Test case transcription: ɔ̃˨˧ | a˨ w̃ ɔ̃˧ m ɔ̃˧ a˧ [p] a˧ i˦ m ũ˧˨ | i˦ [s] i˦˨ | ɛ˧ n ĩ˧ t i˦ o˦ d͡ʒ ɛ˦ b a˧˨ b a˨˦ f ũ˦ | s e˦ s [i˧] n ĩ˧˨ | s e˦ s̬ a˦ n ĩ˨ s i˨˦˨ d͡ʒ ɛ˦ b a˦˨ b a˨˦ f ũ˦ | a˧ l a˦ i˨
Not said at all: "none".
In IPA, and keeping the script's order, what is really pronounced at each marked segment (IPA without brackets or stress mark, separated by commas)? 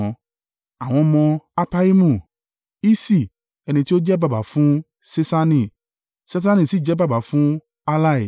p, s, a˧